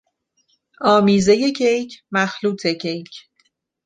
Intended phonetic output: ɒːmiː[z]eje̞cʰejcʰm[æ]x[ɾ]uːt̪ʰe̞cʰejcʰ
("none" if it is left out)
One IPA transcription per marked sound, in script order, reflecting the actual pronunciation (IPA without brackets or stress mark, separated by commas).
z, æ, l